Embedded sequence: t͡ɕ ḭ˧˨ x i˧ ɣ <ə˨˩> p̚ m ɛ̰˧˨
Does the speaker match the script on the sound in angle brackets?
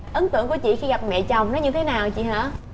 no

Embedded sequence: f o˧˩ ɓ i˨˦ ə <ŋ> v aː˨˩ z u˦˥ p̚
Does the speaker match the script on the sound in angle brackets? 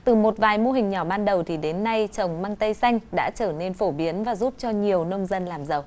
no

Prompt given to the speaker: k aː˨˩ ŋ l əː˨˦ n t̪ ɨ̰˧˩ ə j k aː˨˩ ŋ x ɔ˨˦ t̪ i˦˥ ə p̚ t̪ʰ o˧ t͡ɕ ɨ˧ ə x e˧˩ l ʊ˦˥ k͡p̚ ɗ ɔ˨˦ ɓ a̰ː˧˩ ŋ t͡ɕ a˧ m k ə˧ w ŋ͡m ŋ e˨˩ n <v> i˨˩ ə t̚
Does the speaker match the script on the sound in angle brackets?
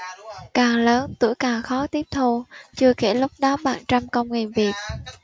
yes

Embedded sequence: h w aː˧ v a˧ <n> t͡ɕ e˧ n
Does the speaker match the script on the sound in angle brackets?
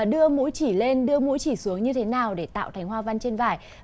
yes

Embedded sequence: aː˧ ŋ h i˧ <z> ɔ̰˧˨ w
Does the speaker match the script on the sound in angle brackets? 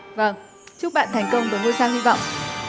no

